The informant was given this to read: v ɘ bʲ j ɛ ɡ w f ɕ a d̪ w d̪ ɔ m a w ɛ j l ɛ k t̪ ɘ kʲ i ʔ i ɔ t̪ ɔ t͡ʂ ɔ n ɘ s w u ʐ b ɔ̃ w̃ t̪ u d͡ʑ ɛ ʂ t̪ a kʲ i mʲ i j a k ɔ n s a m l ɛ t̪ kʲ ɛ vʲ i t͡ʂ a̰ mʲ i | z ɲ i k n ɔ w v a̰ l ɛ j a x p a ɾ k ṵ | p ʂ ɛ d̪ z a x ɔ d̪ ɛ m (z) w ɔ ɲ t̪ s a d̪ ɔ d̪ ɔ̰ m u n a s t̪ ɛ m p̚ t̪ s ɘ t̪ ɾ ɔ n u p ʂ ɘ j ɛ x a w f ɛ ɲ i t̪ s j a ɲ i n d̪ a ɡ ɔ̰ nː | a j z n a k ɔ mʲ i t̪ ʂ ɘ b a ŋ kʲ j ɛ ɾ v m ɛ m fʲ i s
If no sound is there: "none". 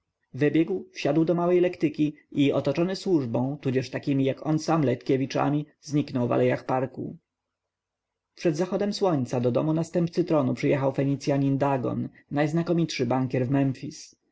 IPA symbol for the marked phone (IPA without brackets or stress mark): s